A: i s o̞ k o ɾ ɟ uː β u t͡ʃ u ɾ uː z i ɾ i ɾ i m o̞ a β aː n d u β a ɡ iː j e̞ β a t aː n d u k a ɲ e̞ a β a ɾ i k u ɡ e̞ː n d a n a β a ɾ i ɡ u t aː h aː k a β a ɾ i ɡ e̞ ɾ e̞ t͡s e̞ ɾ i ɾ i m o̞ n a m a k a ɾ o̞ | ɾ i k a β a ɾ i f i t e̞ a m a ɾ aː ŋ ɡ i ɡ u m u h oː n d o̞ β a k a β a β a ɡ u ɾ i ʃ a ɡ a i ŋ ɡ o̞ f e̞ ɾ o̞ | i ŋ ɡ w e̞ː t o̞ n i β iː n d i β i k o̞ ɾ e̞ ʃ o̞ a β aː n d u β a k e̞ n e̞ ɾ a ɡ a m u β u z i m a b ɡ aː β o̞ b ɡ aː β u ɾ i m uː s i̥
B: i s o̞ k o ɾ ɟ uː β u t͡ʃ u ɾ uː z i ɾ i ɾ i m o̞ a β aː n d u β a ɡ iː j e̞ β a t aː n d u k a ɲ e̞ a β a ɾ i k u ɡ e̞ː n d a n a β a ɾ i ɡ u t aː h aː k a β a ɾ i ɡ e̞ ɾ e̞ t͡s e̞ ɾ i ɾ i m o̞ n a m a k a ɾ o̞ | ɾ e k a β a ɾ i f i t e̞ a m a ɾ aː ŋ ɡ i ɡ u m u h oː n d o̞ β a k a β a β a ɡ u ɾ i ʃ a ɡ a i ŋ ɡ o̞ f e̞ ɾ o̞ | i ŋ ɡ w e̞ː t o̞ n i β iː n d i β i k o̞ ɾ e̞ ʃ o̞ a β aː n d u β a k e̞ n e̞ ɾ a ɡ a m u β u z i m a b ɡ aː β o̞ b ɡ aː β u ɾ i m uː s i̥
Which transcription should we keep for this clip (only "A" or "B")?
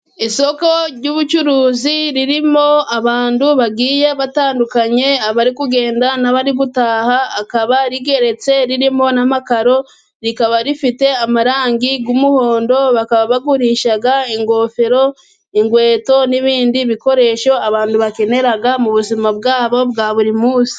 A